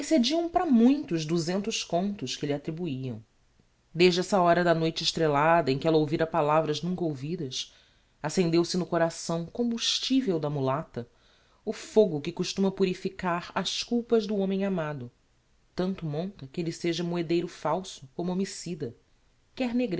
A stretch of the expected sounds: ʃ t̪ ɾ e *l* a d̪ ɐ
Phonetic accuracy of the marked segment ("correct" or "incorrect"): correct